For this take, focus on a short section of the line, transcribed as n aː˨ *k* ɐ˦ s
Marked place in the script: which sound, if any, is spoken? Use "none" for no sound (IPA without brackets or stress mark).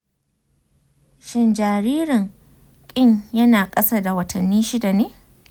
kʼ